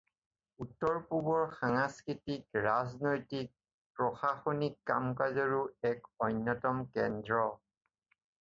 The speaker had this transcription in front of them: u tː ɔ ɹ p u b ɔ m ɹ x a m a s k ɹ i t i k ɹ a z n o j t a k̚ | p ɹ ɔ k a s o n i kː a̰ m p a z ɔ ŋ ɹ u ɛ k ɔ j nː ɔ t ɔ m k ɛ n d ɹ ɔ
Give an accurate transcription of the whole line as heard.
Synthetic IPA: u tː ɔ ɹ p u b ɔ ɹ x a ŋ a s k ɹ i t i k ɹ a z n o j t i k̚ | p ɹ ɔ x a x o n i kː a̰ m k a z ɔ ɹ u ɛ k ɔ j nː ɔ t ɔ m k ɛ n d ɹ ɔ